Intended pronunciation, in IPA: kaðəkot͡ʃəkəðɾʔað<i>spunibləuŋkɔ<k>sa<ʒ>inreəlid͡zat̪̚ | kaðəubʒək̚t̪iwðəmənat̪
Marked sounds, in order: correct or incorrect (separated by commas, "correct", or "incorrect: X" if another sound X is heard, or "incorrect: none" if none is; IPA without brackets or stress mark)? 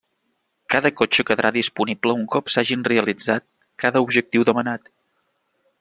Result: correct, incorrect: p, correct